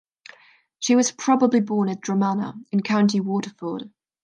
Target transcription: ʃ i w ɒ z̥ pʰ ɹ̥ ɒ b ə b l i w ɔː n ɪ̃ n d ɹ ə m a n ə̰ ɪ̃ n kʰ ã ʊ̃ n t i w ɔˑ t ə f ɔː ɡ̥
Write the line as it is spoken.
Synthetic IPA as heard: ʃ i w ɒ z̥ pʰ ɹ̥ ɒ b ə b l i b ɔː n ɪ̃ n d ɹ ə m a n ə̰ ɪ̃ n kʰ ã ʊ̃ n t i w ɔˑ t ə f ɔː d̥